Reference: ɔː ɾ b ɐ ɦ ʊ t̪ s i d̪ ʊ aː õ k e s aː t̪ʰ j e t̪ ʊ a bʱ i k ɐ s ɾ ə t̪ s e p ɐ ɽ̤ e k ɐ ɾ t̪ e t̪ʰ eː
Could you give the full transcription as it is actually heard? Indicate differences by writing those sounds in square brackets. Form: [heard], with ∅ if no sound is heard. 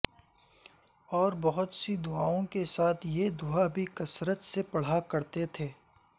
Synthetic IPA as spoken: ɔː ɾ b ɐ ɦ ʊ t̪ s i d̪ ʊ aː õ k e s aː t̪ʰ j e [d̪] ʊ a bʱ i k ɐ s ɾ ə t̪ s e p ɐ ɽ̤ [a] k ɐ ɾ t̪ e t̪ʰ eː